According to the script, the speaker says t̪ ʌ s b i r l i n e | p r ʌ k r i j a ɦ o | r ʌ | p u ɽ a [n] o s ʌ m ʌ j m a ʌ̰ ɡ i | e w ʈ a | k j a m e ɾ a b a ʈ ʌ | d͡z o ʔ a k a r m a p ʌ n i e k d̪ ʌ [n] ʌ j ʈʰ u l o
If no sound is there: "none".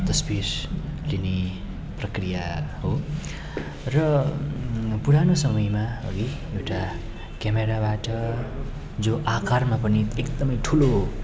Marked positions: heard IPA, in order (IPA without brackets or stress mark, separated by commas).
n, m